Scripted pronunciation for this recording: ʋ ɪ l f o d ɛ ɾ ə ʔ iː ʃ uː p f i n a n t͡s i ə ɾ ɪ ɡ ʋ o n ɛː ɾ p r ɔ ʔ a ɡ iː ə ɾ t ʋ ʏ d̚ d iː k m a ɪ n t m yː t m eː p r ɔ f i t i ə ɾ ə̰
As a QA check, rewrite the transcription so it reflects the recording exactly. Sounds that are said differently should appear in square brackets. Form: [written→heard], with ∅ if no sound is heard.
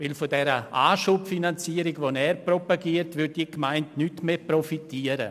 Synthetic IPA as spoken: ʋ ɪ l f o d ɛ ɾ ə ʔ [iː→aː] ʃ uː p f i n a n t͡s i ə ɾ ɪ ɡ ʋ o n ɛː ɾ p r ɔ [ʔ→p] a ɡ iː ə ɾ t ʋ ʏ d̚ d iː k m a ɪ n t [m→n] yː t m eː p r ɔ f i t i ə ɾ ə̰